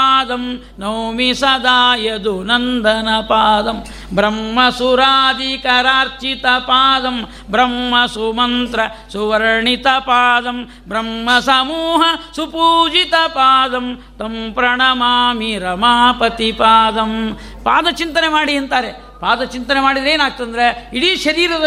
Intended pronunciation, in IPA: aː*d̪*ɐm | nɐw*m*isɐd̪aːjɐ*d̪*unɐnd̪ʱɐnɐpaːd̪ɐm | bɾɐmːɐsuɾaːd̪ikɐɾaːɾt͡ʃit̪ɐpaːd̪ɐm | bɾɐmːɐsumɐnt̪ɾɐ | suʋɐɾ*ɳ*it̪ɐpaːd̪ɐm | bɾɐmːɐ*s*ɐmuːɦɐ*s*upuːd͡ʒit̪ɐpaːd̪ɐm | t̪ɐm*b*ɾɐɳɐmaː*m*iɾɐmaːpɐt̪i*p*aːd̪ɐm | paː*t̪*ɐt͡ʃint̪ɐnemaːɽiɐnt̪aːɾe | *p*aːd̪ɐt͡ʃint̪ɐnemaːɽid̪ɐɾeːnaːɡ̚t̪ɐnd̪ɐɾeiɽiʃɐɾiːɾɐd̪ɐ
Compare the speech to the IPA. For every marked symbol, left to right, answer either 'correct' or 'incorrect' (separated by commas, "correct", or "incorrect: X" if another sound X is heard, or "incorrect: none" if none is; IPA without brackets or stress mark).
correct, correct, correct, correct, correct, correct, incorrect: p, correct, correct, incorrect: d̪, correct